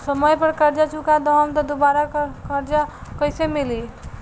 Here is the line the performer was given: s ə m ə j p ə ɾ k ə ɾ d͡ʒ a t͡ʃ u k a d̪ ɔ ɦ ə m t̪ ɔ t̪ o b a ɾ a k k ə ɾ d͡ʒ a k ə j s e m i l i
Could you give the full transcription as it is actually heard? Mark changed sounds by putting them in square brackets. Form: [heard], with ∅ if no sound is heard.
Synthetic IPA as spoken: s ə m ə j p ə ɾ k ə ɾ d͡ʒ a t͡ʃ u k a d̪ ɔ ɦ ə m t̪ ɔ [d̪] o b a ɾ a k k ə ɾ d͡ʒ a k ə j s e m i l i

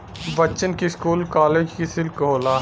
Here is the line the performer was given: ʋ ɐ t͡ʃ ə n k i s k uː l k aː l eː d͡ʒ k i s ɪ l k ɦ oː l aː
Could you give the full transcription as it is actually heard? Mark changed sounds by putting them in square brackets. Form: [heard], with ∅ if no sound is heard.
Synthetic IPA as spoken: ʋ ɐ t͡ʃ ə n k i s k uː l k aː l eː d͡ʒ k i s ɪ l k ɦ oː l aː

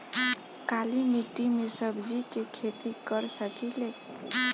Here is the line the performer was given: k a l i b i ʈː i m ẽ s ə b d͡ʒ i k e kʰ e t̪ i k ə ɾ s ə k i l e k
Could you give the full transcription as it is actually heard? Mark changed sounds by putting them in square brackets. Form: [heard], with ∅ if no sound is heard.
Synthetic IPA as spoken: k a l i [m] i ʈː i m [e] s ə b d͡ʒ i k e kʰ e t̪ i k ə ɾ s ə k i l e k

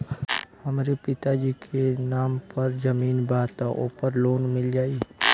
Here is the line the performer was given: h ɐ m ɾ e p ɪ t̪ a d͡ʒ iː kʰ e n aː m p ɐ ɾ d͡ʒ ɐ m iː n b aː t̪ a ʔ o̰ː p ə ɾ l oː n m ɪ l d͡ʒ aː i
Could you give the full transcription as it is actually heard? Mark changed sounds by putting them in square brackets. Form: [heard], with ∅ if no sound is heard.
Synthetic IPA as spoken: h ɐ m ɾ e p ɪ t̪ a d͡ʒ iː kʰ e n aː m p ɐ ɾ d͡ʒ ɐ m iː n b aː t̪ a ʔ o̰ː p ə ɾ l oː n m ɪ l d͡ʒ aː i

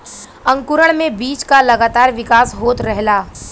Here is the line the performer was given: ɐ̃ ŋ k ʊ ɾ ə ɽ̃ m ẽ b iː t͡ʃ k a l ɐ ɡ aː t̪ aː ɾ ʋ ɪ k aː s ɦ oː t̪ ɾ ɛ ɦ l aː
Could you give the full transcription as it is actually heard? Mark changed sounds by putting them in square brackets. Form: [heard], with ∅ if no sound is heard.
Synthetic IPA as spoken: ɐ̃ ŋ k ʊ ɾ ə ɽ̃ m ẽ b iː t͡ʃ k a l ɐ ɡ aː t̪ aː ɾ ʋ ɪ k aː s ɦ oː t̪ ɾ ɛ ɦ l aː

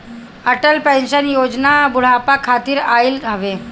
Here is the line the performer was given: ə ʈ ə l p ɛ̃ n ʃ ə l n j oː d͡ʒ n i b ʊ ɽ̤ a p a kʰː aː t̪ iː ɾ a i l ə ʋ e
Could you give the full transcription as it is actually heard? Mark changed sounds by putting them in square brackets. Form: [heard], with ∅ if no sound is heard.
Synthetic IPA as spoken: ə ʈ ə l p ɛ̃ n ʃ ə [∅] n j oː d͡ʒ n [a] b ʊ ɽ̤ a p a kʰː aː t̪ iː ɾ a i l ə ʋ e

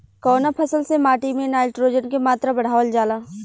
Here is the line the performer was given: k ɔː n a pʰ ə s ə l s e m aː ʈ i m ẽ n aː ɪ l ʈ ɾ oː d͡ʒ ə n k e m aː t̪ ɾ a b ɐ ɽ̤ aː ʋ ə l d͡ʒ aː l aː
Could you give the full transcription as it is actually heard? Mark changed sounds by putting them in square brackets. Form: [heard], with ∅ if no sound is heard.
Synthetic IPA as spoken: k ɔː n a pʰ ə s ə l s e m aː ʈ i m ẽ n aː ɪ l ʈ ɾ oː d͡ʒ ə n k e m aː t̪ ɾ a b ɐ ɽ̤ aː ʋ ə l d͡ʒ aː l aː

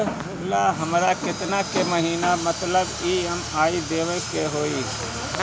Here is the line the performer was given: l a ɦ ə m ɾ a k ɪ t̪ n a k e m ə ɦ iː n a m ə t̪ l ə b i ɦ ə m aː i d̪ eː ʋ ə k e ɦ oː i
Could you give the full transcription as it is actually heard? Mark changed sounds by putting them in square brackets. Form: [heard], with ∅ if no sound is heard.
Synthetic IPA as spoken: l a ɦ ə m ɾ a k ɪ t̪ n a k e m ə ɦ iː n a m ə t̪ l ə b i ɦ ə m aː i d̪ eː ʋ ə k e ɦ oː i

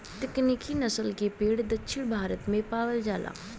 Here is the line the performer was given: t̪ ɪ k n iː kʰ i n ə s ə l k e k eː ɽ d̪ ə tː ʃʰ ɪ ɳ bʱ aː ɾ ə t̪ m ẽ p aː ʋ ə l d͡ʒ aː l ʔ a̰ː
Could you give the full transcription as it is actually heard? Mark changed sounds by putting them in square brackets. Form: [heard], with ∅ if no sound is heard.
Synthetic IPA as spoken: t̪ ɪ k n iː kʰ i n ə s ə l k e [p] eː ɽ d̪ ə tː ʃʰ ɪ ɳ bʱ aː ɾ ə t̪ m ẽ p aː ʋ ə l d͡ʒ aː l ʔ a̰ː

